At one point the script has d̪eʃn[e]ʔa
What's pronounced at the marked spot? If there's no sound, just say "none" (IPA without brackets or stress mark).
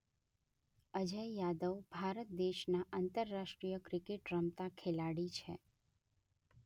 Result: a